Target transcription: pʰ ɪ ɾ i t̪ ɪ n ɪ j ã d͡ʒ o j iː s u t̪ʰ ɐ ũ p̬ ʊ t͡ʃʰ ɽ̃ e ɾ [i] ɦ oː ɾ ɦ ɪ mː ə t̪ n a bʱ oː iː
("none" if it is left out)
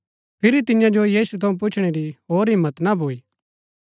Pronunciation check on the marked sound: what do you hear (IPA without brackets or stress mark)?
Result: i